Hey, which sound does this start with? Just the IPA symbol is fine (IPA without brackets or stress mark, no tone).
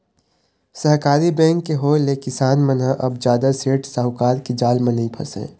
s